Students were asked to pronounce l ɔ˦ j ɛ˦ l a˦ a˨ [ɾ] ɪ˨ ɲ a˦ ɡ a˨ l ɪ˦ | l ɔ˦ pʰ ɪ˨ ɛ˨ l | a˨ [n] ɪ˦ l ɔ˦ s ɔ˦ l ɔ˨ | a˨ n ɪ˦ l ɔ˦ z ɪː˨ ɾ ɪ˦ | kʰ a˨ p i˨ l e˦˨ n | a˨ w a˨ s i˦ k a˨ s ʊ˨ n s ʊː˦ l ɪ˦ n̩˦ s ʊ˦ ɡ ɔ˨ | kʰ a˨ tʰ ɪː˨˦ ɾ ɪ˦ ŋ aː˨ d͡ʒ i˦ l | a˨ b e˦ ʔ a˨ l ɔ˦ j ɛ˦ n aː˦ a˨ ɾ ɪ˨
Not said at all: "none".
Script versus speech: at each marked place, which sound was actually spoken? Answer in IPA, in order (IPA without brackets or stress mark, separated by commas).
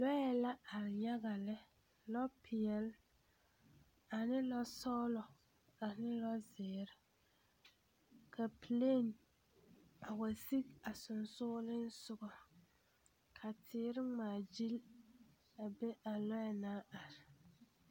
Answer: ɾ, n